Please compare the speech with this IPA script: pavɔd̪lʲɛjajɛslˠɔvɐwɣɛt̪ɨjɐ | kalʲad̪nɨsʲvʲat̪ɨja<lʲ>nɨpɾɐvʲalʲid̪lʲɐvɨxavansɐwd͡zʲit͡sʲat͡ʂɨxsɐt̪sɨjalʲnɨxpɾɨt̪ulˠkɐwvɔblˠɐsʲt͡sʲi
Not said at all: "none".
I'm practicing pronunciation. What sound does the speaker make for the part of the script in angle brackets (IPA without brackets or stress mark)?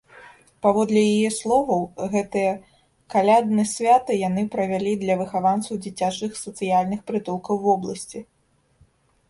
none